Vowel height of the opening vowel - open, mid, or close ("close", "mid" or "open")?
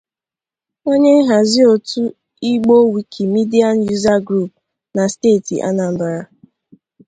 mid